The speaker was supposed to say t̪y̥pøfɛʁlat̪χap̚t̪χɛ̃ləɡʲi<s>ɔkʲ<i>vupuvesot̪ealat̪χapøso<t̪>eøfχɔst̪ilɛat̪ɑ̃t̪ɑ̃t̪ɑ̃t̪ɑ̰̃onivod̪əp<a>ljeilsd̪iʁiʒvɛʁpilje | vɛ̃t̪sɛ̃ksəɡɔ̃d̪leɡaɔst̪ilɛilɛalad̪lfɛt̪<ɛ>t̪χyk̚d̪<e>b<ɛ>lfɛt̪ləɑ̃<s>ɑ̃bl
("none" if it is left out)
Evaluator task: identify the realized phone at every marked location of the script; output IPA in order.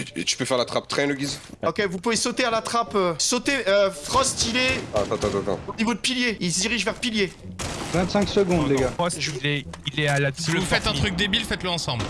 z, e, t̪, i, ɛ̃, e, i, s

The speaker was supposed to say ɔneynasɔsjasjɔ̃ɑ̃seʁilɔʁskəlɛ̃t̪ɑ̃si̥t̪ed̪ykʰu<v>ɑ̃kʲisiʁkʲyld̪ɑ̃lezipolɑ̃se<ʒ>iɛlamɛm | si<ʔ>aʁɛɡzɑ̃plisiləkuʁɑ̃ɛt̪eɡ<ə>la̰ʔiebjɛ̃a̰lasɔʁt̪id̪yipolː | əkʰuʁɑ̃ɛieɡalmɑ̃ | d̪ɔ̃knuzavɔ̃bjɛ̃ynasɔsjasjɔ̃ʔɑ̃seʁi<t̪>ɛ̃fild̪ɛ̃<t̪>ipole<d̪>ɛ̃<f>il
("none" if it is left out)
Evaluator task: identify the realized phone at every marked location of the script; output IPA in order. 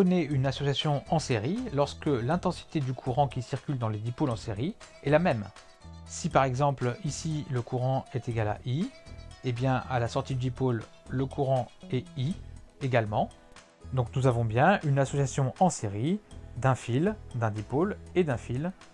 ʁ, ʁ, p, a, d̪, d̪, d̪, f

